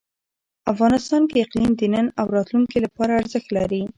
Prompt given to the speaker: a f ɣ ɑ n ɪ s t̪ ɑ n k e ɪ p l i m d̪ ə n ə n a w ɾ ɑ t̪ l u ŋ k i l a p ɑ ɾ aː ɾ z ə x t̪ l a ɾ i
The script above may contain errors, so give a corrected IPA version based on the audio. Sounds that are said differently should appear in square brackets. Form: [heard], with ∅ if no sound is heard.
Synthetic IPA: a f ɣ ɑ n ɪ s t̪ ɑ n k e ɪ [q] l i m d̪ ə n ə n a w ɾ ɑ t̪ l u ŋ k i l a p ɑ ɾ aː ɾ z ə x t̪ l a ɾ i